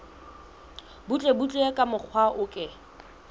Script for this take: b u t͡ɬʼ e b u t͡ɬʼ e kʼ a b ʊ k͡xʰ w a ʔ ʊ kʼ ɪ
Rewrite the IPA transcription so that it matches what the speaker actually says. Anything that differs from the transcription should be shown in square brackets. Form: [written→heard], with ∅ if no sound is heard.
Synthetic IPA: b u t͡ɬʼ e b u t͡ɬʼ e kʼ a [b→m] ʊ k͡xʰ w a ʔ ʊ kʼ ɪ